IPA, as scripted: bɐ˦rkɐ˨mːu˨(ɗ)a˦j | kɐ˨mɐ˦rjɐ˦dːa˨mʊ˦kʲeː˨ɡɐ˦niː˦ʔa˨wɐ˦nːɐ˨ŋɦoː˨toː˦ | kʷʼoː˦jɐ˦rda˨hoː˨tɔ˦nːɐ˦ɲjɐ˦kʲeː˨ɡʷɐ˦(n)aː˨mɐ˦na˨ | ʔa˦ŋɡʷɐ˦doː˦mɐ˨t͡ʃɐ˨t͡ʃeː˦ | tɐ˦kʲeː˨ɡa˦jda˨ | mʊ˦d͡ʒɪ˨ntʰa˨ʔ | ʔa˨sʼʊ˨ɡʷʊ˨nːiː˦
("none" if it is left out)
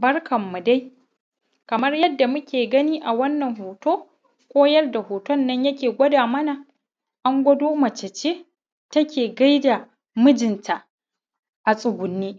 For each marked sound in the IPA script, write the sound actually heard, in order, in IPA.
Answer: d, d

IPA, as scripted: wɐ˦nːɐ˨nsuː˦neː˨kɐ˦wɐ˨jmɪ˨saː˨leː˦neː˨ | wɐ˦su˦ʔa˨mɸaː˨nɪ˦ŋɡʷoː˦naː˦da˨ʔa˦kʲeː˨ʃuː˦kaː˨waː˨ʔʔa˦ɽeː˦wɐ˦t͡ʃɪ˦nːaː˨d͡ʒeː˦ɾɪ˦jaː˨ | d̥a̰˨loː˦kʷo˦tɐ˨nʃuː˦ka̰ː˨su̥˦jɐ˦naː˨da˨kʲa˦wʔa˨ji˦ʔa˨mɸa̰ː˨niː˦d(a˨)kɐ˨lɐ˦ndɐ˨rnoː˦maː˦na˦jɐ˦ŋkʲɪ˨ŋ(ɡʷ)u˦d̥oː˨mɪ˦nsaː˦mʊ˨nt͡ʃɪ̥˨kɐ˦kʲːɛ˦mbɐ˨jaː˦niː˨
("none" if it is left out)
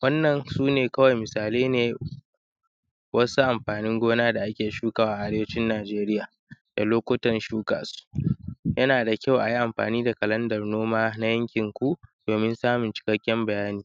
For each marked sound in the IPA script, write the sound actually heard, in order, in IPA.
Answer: a˨, kʷ

